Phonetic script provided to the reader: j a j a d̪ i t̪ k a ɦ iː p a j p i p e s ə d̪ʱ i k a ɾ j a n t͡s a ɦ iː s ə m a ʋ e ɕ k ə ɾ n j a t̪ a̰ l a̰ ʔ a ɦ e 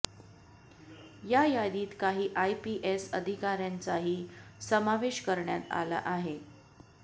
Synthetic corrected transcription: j a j a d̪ iː t̪ k a ɦ iː ʔ a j p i ʔ e s ə d̪ʱ i k a ɾ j a n t͡s a ɦ iː s ə m a ʋ e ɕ k ə ɾ ɳ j a t̪ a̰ l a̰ ʔ a ɦ e